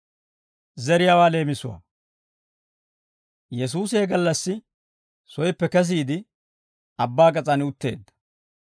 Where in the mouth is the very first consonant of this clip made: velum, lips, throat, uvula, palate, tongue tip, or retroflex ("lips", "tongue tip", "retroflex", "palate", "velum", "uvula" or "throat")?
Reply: tongue tip